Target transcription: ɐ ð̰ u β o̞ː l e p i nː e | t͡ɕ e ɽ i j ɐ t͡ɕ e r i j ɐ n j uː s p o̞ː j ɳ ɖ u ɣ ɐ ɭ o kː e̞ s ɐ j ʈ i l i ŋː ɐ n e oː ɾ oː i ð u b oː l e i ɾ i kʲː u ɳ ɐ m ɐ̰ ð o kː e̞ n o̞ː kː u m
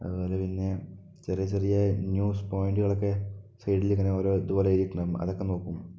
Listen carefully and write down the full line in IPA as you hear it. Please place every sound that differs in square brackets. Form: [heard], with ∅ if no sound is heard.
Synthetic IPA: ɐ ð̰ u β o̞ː l e p i nː e | t͡ɕ e [r] i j ɐ t͡ɕ e r i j ɐ n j uː s p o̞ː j ɳ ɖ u ɣ ɐ ɭ o kː e̞ s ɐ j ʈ i l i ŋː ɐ n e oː ɾ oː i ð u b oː l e i ɾ i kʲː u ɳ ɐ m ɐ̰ ð o kː e̞ n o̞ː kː u m